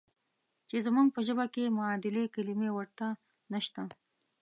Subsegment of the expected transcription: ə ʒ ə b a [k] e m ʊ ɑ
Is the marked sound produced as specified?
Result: yes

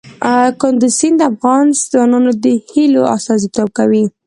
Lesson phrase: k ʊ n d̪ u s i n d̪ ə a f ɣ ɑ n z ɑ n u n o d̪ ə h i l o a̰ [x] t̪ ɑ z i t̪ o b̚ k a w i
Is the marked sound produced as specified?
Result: no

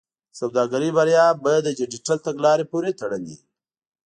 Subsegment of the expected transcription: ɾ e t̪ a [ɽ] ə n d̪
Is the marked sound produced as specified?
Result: yes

